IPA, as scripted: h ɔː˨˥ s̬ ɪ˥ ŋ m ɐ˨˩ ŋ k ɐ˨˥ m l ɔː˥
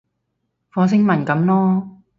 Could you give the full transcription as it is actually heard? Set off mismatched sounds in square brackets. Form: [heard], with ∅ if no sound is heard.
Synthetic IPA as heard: [f] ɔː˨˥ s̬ ɪ˥ ŋ m ɐ˨˩ [n] k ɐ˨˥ m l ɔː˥